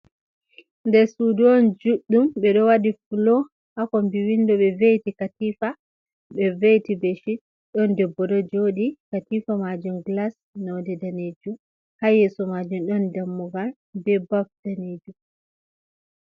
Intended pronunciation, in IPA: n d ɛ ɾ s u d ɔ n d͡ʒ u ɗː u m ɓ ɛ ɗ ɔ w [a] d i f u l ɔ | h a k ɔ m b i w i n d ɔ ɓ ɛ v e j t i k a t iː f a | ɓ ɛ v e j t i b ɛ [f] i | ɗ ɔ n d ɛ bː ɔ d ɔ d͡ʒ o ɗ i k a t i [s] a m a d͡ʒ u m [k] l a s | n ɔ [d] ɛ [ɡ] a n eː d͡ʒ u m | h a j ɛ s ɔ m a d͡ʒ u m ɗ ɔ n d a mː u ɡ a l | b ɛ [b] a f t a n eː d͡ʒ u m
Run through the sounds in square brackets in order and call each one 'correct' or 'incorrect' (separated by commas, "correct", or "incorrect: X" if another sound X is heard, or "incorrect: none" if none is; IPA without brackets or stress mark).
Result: correct, incorrect: ʃ, incorrect: f, incorrect: ɡ, correct, incorrect: d, correct